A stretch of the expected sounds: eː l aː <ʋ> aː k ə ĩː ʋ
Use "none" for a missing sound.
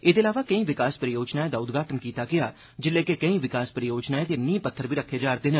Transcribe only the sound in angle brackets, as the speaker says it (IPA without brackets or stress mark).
ʋ